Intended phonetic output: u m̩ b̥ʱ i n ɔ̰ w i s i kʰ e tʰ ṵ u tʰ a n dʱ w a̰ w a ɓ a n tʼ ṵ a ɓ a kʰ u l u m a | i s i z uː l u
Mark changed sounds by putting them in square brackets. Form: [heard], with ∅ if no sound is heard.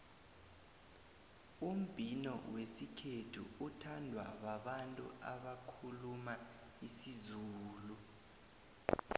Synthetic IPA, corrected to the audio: u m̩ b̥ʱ i n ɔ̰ w [e] s i kʰ e tʰ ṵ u tʰ a n dʱ w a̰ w a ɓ a n tʼ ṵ a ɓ a kʰ u l u m a | i s i z uː l u